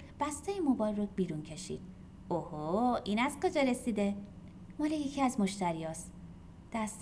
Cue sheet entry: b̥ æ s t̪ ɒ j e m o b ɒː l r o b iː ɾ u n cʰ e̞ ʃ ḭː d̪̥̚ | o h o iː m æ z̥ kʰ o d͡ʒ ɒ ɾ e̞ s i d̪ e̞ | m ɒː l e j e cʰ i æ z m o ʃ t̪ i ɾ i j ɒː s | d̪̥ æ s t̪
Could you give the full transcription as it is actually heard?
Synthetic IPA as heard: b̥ æ s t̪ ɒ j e m o b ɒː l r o b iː ɾ u n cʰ e̞ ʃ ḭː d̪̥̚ | o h o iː n æ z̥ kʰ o d͡ʒ ɒ ɾ e̞ s i d̪ e̞ | m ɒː l e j e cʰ i æ z m o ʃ t̪ æ ɾ i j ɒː s | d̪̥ æ s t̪